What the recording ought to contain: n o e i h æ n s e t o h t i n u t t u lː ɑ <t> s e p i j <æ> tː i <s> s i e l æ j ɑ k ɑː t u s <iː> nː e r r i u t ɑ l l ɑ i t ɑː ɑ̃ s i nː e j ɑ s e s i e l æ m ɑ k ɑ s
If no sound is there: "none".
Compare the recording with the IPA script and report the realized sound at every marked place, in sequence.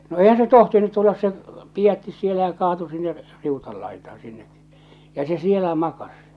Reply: s, æ, s, i

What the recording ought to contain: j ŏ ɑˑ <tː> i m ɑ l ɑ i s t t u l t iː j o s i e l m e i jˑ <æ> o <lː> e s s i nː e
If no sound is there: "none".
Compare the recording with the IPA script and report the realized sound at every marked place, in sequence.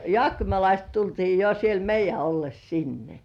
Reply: kː, æ, lː

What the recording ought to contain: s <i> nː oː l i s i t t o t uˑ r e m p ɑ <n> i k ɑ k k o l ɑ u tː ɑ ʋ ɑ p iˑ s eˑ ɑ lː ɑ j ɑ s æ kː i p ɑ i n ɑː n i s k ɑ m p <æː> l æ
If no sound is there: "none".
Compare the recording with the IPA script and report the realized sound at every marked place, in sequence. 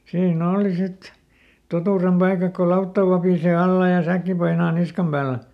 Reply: iː, none, æː

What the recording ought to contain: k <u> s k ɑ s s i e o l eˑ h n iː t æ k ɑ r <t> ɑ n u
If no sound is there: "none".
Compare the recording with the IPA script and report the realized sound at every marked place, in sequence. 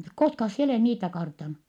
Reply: o, t

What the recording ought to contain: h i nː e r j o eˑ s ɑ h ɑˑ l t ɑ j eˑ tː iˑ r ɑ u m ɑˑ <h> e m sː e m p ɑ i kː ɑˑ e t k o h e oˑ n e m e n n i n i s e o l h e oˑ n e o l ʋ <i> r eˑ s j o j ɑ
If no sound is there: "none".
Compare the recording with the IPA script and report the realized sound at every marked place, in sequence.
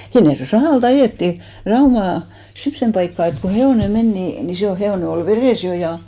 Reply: s, e

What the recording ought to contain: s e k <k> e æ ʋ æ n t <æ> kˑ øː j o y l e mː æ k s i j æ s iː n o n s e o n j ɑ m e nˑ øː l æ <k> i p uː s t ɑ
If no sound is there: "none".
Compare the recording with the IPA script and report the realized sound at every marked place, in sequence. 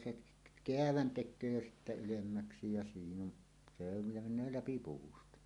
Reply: k, e, p

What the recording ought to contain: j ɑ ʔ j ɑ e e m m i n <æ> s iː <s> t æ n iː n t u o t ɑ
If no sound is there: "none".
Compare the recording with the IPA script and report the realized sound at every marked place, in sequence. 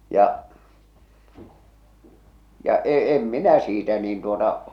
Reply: æ, none

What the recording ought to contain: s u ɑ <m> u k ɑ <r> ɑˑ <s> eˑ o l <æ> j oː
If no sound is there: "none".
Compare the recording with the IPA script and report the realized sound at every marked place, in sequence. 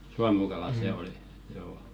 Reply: m, l, s, i

